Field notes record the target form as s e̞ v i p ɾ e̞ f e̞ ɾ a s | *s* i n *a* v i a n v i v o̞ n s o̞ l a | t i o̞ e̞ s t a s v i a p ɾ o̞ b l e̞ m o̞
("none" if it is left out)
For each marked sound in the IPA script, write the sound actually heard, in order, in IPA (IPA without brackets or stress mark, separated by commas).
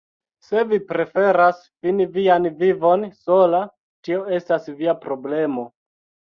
f, i